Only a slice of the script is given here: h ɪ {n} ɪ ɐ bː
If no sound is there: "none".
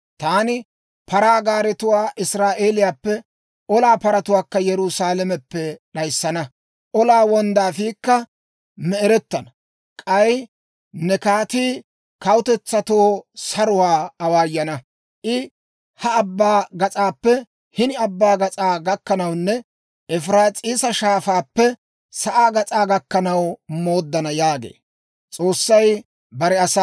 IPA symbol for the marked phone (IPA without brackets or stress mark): n